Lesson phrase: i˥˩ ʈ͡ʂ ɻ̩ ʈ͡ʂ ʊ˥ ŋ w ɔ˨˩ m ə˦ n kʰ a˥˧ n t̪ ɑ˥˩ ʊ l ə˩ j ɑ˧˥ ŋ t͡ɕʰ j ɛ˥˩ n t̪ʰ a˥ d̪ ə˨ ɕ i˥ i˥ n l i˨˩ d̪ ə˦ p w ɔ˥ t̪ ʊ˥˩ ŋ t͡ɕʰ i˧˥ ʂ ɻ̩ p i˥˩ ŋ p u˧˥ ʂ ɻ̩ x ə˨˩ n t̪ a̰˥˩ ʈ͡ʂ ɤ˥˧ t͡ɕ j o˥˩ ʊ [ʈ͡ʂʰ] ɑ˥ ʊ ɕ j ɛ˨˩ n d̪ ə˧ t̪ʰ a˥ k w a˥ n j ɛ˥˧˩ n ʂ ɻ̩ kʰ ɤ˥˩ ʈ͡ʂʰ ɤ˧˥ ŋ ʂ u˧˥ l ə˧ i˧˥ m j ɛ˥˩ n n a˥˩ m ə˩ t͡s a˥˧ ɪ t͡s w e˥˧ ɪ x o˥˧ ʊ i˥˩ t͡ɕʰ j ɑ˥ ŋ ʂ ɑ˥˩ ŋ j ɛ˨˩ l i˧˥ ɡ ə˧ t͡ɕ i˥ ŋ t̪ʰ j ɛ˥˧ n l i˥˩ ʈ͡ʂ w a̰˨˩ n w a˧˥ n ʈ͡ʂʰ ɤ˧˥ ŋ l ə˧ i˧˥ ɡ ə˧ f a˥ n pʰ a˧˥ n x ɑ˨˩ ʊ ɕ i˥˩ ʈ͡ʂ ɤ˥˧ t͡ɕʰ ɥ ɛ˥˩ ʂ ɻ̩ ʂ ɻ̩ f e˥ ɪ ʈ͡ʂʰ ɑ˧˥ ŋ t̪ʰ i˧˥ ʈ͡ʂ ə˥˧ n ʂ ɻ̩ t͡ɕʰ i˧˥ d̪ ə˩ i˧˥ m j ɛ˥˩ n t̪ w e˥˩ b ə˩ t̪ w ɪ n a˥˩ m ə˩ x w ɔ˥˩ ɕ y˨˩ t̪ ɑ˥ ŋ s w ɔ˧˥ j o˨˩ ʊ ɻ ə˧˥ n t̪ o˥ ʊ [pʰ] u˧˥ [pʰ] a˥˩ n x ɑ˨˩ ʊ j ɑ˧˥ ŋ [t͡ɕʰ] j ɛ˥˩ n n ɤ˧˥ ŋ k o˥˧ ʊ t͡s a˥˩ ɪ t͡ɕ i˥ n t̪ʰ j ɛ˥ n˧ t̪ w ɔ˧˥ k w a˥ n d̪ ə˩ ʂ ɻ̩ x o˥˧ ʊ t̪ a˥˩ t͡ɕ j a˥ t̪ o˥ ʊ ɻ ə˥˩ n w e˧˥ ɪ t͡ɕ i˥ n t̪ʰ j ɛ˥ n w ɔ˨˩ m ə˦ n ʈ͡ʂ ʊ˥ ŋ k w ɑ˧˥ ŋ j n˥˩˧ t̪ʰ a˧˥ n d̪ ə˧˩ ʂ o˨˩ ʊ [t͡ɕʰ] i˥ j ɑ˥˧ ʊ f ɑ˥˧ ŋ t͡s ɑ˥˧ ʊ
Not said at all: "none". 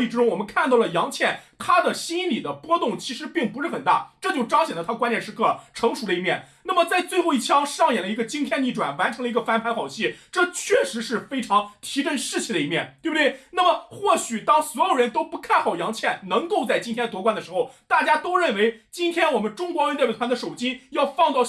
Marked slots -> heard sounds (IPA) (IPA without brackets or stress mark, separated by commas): ʈ͡ʂ, p, kʰ, t͡ɕʰ, t͡ɕ